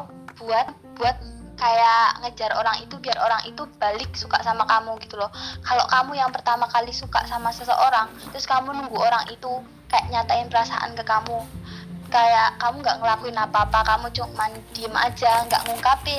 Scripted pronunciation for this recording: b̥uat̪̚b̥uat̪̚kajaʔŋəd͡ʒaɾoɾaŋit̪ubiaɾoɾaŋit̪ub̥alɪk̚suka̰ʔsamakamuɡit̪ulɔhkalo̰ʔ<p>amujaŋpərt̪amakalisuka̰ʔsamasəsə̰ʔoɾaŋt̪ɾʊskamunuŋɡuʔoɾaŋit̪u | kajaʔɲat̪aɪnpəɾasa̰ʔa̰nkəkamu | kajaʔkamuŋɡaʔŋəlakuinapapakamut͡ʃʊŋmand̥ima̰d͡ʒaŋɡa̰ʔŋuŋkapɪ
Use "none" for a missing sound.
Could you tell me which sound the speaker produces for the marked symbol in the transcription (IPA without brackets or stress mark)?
k